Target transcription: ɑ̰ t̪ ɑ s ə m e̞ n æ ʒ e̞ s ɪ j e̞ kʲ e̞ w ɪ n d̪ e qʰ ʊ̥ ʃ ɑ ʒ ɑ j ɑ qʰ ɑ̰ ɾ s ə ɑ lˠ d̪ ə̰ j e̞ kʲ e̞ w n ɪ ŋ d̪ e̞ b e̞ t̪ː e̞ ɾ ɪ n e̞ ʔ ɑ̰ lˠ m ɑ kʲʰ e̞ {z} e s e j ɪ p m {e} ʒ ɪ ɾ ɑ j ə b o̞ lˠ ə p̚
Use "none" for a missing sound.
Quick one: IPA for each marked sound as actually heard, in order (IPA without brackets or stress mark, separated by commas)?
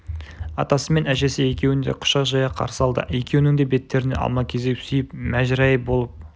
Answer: z, æ